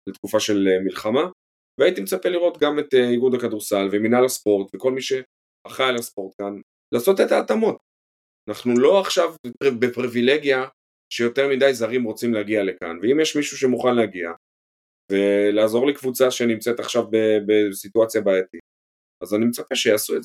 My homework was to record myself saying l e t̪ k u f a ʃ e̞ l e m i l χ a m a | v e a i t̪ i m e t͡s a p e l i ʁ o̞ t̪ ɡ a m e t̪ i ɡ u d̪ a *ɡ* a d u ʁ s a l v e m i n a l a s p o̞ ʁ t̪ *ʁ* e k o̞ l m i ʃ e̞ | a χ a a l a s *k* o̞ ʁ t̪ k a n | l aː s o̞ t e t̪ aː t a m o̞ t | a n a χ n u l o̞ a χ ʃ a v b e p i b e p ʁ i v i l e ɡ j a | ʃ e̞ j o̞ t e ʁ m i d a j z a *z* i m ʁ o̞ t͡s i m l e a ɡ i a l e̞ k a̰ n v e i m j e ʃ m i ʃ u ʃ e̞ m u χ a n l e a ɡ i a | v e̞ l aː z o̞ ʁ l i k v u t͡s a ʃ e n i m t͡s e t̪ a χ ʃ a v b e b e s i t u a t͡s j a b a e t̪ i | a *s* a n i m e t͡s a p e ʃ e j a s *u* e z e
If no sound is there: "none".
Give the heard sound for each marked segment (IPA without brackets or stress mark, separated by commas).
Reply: k, v, p, ʁ, z, u